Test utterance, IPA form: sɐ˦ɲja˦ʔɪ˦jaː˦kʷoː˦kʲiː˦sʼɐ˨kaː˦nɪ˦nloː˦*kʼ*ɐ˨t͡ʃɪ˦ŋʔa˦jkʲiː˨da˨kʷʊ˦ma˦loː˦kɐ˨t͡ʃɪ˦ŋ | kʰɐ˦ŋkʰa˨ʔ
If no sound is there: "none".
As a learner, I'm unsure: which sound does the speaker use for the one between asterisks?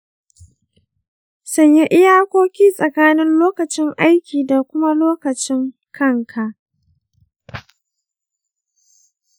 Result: k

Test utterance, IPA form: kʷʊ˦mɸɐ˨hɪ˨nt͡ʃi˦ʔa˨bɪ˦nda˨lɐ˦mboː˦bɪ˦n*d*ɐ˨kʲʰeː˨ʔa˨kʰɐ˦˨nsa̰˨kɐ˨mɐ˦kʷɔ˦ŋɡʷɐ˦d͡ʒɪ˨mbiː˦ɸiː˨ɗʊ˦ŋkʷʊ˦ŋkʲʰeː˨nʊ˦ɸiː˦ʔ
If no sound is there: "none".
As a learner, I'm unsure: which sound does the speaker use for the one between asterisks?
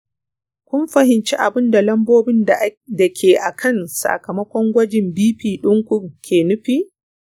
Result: d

